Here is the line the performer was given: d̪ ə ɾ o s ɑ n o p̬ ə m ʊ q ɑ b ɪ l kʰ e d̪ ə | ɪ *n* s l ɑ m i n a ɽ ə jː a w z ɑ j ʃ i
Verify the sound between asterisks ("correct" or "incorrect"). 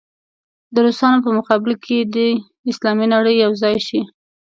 incorrect